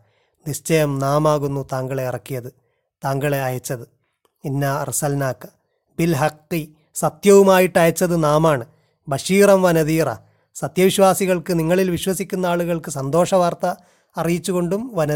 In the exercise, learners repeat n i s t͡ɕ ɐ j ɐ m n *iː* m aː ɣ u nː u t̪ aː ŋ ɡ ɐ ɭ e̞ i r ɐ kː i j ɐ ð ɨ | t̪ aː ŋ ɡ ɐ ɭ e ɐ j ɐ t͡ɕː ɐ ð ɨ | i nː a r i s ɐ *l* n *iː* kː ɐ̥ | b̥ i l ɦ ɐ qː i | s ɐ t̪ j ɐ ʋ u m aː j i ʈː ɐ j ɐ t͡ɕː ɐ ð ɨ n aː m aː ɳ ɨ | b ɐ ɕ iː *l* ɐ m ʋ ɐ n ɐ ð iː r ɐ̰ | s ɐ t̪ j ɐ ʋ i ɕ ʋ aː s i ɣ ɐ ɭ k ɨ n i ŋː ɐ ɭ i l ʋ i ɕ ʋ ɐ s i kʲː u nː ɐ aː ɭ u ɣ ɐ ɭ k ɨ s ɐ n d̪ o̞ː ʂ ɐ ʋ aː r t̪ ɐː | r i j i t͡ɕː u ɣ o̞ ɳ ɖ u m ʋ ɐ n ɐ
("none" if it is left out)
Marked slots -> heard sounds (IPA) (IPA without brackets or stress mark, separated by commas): aː, l, aː, r